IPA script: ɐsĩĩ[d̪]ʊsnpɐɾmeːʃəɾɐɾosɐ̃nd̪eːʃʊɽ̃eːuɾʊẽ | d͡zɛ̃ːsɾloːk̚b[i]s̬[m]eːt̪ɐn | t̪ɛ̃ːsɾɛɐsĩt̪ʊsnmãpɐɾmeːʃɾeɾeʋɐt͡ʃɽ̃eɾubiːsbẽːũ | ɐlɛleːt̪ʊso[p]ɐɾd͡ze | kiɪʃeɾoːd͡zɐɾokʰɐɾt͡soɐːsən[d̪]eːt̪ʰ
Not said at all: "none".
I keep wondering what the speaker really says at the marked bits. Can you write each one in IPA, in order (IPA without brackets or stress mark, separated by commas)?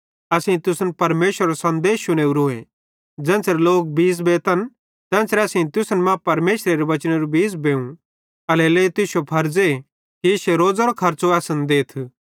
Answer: t̪, iː, b, pʰ, d̪